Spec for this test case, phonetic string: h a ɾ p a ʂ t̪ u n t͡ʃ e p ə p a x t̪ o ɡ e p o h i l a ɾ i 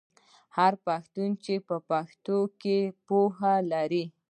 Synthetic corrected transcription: h a ɾ p a x t̪ u n t͡ʃ e p ə p a x t̪ o k e p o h a l a ɾ i